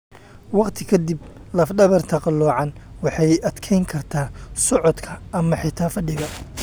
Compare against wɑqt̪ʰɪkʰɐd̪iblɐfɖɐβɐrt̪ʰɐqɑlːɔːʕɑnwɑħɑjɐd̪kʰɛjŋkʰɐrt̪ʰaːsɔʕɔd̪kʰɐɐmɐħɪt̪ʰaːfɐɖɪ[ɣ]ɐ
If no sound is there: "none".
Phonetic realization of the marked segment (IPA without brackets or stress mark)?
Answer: ɣ